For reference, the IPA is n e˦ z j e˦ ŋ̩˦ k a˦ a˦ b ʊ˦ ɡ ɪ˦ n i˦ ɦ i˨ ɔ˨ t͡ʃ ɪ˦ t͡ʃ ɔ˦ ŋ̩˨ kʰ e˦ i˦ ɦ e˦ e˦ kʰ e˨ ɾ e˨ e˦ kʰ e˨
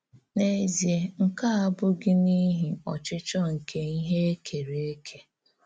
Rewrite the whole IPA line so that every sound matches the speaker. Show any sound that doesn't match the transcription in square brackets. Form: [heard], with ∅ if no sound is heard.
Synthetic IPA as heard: n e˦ z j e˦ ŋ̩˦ k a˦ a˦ b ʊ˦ ɡ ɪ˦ n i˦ ɦ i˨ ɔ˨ t͡ʃ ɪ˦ t͡ʃ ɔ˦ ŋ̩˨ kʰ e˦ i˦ ɦ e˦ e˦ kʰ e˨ ɾ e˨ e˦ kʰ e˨